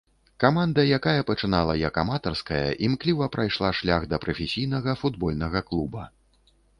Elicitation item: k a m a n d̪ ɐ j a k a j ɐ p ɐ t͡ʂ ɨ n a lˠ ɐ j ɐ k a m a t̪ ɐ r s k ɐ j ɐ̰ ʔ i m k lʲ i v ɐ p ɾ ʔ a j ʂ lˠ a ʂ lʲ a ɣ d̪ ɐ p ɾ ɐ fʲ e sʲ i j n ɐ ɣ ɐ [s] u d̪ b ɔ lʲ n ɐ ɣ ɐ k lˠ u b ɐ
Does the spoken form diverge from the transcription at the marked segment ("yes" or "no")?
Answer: yes